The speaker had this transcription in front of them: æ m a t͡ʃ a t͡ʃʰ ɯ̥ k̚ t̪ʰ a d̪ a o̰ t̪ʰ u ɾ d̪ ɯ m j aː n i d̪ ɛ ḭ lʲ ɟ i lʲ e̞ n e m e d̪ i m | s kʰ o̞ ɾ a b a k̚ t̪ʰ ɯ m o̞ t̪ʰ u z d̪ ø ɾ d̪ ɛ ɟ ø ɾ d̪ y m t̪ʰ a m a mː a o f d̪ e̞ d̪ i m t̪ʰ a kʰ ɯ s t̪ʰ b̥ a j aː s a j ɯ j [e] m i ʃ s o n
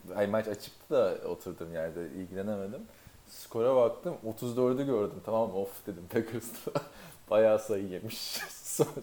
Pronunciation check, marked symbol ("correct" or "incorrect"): correct